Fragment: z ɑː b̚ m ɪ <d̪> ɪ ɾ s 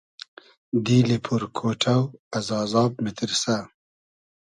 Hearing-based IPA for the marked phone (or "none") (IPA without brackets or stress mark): t̪